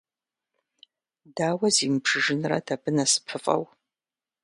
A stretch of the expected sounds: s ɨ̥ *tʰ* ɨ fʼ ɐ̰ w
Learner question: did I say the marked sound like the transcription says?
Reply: no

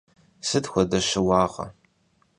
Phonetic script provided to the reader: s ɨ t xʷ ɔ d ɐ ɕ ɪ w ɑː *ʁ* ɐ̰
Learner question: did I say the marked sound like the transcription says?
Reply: yes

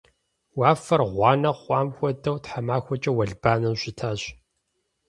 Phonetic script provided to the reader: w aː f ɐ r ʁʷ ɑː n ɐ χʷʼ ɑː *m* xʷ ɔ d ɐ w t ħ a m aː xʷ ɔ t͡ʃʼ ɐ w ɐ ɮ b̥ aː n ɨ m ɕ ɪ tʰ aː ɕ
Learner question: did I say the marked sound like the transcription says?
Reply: yes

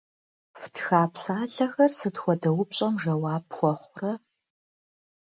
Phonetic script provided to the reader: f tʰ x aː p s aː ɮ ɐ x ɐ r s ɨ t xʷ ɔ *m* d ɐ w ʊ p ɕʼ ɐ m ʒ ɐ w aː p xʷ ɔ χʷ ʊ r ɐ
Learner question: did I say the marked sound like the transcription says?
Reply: no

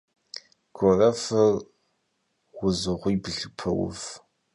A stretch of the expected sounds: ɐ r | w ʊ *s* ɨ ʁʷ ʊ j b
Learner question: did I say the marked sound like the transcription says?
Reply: no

